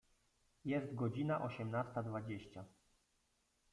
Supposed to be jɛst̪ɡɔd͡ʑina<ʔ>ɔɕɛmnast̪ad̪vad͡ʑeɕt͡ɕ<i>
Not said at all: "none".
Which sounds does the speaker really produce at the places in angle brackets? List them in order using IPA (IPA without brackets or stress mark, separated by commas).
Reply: ʔ, a